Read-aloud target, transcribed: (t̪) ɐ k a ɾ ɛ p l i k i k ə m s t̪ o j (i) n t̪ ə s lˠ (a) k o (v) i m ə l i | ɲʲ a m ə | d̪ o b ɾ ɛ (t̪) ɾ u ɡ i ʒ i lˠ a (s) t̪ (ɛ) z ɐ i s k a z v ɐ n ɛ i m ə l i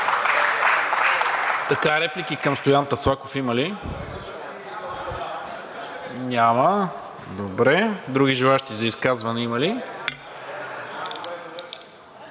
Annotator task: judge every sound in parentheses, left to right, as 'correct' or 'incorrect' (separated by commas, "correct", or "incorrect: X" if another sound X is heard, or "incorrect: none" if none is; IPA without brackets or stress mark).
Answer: correct, incorrect: a, correct, incorrect: f, incorrect: d̪, incorrect: ʃ, incorrect: i